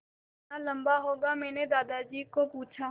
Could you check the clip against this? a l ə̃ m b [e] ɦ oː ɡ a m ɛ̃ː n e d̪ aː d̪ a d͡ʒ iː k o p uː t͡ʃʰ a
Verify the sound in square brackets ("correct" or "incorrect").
incorrect